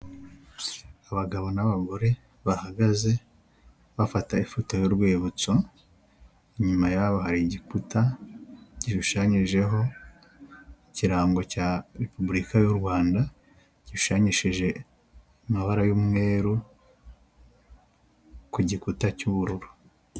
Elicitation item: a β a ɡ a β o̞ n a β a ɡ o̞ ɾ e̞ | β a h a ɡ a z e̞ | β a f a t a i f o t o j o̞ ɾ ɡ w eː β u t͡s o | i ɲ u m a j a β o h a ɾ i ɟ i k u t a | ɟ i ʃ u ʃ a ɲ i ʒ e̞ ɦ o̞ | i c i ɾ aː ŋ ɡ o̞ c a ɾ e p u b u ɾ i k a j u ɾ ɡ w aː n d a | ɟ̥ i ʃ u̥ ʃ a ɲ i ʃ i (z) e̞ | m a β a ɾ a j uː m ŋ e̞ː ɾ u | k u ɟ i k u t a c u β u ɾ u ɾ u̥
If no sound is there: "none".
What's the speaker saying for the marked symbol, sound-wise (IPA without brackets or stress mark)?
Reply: ʒ